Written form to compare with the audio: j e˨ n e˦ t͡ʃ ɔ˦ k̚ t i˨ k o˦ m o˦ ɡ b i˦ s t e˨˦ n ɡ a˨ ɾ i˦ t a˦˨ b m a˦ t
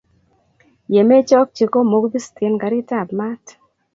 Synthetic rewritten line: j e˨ m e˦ t͡ʃ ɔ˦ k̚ t͡ʃ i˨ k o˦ m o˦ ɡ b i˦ s t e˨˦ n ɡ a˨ ɾ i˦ t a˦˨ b m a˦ t